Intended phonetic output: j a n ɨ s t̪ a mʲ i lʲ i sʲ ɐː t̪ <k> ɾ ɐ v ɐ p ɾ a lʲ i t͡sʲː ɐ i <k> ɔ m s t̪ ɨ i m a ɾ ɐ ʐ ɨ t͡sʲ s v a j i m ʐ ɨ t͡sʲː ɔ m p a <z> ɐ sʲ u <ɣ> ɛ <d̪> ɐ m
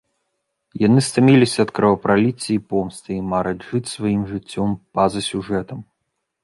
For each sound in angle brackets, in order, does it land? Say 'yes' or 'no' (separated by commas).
yes, no, yes, no, no